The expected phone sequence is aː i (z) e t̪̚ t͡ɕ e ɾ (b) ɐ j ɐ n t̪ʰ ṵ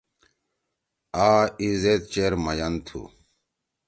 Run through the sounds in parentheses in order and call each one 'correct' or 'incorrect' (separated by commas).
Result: correct, incorrect